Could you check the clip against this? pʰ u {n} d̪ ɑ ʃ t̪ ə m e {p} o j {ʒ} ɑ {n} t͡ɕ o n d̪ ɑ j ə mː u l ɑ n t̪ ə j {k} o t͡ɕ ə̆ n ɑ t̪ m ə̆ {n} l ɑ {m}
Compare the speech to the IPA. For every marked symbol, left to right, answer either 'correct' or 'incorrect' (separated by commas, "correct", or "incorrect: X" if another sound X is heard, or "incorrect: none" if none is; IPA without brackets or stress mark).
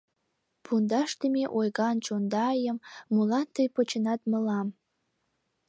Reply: correct, incorrect: ʔ, incorrect: ɣ, correct, incorrect: p, incorrect: none, correct